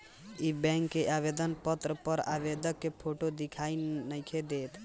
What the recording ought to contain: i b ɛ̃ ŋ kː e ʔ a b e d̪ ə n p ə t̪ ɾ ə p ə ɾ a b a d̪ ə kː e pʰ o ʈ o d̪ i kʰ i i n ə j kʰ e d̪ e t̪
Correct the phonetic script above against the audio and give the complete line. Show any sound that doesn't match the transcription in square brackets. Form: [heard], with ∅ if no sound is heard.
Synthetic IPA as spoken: i b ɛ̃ ŋ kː e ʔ a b e d̪ ə n p ə t̪ ɾ ə p ə ɾ a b [e] d̪ ə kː e pʰ o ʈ o d̪ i kʰ [a] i n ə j kʰ e d̪ e t̪